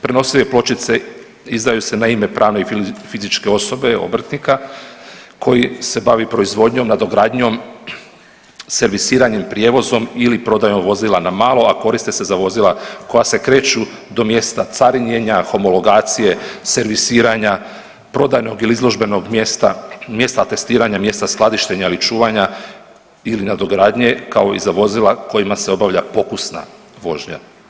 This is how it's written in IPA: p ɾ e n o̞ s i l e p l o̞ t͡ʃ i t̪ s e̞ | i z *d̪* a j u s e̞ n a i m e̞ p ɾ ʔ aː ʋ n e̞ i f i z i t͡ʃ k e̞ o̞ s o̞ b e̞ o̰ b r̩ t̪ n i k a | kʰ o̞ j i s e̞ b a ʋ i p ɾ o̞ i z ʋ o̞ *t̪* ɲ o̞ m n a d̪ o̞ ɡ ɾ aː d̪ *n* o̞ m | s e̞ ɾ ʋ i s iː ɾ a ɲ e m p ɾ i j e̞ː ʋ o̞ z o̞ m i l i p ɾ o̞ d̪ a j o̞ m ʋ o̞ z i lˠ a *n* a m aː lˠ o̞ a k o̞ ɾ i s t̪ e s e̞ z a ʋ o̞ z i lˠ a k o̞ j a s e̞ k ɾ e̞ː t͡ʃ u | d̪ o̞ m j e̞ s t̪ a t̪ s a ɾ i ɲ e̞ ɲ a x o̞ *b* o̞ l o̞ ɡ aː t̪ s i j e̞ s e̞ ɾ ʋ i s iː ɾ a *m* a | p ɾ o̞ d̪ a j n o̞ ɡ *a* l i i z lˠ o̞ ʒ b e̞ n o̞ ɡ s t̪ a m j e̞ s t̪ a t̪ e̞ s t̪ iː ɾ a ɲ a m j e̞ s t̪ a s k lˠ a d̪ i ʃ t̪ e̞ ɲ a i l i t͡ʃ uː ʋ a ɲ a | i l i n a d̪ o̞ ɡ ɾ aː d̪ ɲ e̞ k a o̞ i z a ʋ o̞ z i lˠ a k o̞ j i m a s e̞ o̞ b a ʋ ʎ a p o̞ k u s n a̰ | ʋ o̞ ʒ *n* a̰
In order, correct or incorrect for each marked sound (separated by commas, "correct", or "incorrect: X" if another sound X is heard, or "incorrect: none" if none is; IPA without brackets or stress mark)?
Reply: correct, incorrect: d̪, incorrect: ɲ, correct, incorrect: m, incorrect: ɲ, incorrect: i, incorrect: ɲ